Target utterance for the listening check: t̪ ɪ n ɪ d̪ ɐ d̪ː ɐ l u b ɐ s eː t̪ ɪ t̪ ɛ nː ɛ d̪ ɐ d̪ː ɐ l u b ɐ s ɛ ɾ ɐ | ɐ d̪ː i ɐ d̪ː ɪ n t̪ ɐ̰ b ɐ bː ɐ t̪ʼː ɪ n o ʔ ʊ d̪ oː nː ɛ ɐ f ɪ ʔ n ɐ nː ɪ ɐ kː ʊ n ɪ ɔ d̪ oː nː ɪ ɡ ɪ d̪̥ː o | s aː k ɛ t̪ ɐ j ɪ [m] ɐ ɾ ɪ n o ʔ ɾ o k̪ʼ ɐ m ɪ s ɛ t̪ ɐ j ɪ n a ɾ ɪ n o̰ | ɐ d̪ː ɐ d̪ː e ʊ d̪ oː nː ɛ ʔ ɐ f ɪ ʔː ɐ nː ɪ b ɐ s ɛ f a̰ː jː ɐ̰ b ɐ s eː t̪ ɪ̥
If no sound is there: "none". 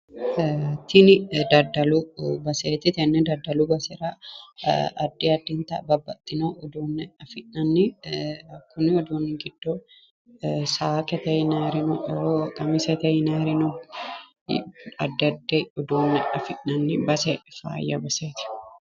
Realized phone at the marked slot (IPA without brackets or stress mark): n